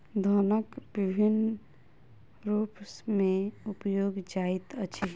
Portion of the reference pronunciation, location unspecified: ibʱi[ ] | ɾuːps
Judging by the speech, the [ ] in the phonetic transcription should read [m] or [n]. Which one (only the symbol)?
n